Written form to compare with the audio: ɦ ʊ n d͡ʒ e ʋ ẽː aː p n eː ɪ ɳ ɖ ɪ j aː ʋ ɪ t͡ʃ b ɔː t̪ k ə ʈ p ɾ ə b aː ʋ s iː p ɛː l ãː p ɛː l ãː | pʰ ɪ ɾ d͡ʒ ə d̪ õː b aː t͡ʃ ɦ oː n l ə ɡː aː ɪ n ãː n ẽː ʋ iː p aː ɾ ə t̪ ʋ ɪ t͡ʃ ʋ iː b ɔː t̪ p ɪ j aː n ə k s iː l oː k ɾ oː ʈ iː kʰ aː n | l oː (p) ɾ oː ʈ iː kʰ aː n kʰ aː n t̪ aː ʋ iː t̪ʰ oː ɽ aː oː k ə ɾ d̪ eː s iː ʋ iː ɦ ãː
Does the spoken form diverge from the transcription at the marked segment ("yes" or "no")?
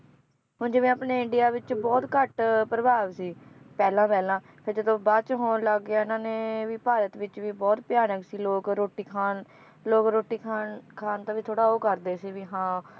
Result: yes